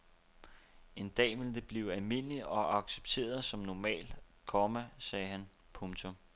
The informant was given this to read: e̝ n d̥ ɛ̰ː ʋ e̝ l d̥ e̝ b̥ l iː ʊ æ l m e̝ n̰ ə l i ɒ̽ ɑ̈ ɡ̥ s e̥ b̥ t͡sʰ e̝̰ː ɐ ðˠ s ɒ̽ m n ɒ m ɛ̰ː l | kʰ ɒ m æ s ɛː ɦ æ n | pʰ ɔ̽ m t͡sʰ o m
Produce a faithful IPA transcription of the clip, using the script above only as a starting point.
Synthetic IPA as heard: e̝ n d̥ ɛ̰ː ʋ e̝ l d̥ e̝ b̥ l iː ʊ æ l m e̝ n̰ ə l i ɒ̽ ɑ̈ ɡ̥ s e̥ b̥ t͡sʰ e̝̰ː ɐ ðˠ s ɒ̽ m n ɒ m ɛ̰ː l | kʰ ɒ m æ s ɛː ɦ æ n | pʰ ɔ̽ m t͡sʰ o m